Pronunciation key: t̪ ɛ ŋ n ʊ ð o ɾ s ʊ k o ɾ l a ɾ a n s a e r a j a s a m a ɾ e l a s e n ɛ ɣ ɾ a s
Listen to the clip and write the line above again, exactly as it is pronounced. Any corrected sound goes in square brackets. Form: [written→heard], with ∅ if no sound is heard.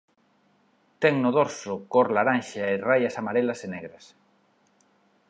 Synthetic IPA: t̪ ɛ ŋ n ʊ ð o ɾ s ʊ k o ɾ l a ɾ a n [s→ʃ] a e r a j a s a m a ɾ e l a s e n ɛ ɣ ɾ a s